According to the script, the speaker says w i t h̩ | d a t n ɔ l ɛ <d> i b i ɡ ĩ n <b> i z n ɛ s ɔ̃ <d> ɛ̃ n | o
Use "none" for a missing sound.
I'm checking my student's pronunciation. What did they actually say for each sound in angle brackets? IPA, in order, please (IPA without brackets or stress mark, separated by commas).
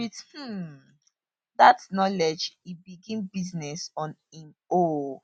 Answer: d͡ʒ, b, n